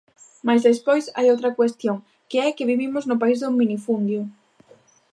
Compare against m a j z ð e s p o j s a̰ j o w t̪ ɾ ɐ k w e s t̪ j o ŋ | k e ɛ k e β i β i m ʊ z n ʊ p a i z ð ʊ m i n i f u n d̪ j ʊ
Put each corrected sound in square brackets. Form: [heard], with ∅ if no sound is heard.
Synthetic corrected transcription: m a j z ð e s p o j s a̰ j o w t̪ ɾ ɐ k w e s t̪ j o ŋ | k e ɛ k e β i β i m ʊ z n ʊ p a i z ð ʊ m i n i f u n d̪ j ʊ